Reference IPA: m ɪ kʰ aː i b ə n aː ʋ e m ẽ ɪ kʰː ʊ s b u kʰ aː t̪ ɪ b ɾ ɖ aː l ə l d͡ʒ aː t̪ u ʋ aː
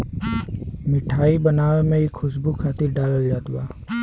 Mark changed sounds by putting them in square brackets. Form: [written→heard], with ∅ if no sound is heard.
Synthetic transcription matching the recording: m ɪ [kʰ→ʈʰ] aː i b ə n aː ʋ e m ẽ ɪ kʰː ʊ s b u kʰ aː t̪ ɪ [b→∅] ɾ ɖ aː l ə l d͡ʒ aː t̪ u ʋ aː